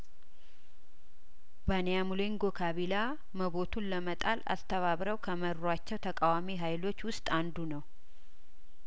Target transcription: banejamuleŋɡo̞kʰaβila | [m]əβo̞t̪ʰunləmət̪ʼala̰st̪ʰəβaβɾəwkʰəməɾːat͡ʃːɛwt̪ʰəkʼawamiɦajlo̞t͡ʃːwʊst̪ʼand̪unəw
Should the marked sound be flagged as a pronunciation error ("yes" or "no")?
no